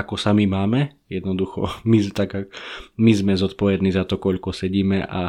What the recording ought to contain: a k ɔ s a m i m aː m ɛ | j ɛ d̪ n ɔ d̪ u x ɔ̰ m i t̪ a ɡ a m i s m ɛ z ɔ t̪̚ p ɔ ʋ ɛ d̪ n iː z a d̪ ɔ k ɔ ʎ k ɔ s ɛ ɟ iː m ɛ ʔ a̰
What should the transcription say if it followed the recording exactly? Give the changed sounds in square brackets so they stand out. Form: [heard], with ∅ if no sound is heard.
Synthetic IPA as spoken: a k ɔ s a m i m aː m ɛ | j ɛ d̪ n ɔ d̪ u x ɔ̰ m i t̪ a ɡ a m i [z] m ɛ z ɔ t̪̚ p ɔ ʋ ɛ d̪ n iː z a [t̪] ɔ k ɔ ʎ k ɔ s ɛ ɟ iː m ɛ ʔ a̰